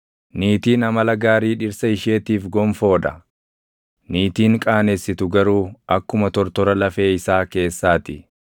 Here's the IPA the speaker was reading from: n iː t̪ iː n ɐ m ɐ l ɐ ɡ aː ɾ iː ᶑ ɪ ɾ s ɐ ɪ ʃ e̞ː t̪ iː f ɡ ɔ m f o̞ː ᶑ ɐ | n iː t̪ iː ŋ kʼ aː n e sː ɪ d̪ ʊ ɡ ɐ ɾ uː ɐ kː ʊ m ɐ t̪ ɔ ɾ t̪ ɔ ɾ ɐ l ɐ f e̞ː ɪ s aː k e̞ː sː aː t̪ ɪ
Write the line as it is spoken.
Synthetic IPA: n iː t̪ iː n ɐ m ɐ l ɐ ɡ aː ɾ iː ᶑ ɪ ɾ s ɐ ɪ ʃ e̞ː t̪ iː f ɡ ɔ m f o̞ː ᶑ ɐ | n iː t̪ iː ŋ kʼ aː n e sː ɪ t̪ ʊ ɡ ɐ ɾ uː ɐ kː ʊ m ɐ t̪ ɔ ɾ t̪ ɔ ɾ ɐ l ɐ f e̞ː ɪ s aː k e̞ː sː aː t̪ ɪ